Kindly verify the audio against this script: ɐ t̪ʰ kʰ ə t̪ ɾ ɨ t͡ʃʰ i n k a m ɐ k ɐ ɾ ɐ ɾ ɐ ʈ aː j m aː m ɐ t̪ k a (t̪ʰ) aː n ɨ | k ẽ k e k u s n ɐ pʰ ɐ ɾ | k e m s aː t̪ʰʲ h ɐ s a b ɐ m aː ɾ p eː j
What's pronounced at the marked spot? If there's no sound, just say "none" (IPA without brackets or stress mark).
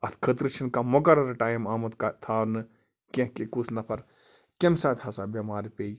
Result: t̪ʰ